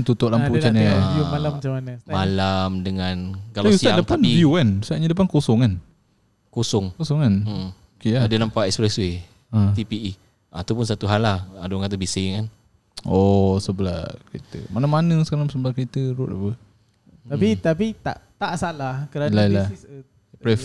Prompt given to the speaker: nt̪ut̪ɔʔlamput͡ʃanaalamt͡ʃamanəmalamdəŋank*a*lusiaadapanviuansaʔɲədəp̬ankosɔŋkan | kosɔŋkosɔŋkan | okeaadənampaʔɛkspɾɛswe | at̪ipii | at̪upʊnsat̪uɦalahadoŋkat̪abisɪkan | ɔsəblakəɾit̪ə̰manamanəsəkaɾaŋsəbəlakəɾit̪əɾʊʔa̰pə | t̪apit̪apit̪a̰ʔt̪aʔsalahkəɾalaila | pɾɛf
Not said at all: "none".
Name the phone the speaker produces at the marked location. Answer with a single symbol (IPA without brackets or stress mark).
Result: a